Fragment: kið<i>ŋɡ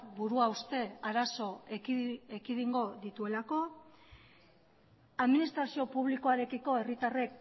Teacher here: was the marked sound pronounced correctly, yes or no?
yes